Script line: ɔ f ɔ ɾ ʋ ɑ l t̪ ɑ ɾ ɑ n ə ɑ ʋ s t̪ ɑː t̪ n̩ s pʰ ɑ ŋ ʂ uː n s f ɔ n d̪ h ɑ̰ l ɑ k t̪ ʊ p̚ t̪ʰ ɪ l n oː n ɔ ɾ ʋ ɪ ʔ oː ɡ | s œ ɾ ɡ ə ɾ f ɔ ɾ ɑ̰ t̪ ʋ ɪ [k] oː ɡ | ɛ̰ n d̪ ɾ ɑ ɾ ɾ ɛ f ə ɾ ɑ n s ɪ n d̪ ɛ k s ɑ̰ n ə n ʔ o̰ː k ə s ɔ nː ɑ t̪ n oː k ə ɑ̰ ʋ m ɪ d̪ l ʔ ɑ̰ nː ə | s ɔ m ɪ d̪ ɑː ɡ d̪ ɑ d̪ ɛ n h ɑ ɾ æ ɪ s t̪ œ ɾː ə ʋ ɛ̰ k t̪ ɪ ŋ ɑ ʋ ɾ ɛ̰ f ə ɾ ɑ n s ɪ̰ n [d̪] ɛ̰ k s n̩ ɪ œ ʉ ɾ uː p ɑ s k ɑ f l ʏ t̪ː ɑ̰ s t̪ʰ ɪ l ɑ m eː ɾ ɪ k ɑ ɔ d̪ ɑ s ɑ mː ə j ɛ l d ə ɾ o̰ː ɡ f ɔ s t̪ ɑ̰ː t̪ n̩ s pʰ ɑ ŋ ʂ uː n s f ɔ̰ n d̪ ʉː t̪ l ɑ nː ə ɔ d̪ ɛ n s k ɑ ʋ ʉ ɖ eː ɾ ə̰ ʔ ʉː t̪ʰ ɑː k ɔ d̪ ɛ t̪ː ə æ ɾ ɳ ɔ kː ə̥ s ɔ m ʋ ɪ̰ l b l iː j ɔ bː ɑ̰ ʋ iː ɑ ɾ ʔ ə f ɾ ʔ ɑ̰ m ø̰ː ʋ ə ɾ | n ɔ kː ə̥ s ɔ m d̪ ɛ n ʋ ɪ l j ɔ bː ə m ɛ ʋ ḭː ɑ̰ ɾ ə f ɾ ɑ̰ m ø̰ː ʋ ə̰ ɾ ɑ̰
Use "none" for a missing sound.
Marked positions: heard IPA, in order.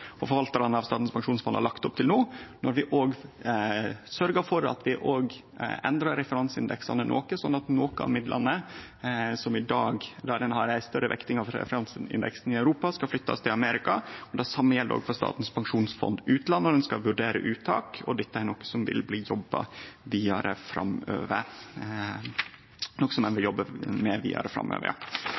ʔ, d̪

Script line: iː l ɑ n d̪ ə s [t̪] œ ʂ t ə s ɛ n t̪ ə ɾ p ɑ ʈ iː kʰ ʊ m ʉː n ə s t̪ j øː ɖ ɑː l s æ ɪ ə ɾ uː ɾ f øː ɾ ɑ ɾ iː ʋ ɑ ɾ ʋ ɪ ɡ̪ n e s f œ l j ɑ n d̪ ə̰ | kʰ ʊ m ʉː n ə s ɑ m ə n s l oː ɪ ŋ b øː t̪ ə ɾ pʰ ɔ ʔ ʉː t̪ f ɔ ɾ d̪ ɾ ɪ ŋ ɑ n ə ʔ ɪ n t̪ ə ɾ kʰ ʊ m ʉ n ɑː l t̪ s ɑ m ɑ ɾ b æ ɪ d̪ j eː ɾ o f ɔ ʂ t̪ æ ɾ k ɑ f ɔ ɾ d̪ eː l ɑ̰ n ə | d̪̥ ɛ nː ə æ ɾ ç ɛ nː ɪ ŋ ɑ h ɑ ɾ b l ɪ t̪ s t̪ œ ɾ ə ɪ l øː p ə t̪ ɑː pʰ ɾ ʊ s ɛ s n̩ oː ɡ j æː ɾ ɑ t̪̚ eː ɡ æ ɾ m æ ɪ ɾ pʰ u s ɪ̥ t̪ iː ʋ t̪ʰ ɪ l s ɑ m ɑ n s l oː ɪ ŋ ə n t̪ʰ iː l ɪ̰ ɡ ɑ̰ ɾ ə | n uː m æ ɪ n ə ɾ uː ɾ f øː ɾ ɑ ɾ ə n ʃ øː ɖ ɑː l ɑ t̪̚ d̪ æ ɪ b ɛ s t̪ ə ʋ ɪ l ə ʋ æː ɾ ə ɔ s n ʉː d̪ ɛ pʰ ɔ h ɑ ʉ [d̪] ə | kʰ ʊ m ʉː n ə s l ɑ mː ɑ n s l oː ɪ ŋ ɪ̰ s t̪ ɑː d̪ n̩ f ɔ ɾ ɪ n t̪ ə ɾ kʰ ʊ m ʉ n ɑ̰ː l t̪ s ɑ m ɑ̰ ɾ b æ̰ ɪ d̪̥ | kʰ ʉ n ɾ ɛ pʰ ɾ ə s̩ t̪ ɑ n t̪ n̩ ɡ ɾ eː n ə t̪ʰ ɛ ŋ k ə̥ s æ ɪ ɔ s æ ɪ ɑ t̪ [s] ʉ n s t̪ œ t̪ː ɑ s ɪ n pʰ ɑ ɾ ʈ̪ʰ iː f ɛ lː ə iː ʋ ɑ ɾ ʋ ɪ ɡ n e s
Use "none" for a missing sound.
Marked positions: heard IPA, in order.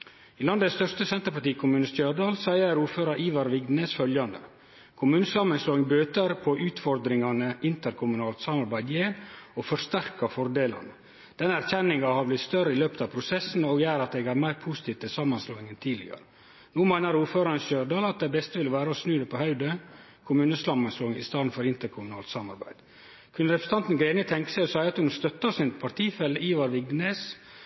t̪, d̪, h

